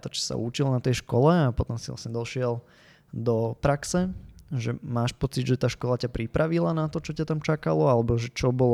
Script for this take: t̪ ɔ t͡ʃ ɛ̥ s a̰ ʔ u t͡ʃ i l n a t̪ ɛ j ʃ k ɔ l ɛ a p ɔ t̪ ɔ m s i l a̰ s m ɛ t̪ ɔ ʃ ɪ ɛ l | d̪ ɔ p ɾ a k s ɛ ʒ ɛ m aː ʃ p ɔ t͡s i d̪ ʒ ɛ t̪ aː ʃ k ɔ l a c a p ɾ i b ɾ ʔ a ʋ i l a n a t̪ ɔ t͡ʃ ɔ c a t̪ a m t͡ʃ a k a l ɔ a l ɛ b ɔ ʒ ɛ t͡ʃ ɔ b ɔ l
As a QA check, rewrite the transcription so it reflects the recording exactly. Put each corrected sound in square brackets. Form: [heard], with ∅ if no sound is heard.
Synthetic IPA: t̪ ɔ t͡ʃ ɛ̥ s a̰ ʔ u t͡ʃ i l n a t̪ ɛ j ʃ k ɔ l ɛ a p ɔ t̪ ɔ m s i l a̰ s [ɲ] ɛ [d̪] ɔ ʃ ɪ ɛ l | d̪ ɔ p ɾ a k s ɛ ʒ ɛ m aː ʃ p ɔ t͡s i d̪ ʒ ɛ t̪ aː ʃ k ɔ l a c a p ɾ i [p] ɾ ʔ a ʋ i l a n a t̪ ɔ t͡ʃ ɔ c a t̪ a m t͡ʃ a k a l ɔ a l ɛ b ɔ ʒ ɛ t͡ʃ ɔ b ɔ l